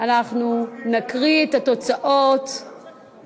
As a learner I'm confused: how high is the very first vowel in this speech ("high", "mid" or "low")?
low